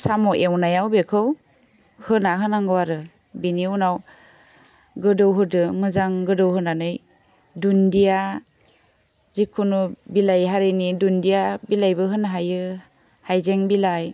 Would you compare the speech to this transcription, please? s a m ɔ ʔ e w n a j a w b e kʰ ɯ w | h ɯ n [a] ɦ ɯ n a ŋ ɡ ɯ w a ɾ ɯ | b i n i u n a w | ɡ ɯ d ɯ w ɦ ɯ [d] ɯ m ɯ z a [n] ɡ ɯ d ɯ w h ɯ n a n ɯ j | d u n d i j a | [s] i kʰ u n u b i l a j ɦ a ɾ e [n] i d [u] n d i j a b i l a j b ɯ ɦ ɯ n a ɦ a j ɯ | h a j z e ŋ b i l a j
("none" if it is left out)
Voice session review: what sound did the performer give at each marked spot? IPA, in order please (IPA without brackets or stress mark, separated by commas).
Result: a, d, ŋ, z, n, u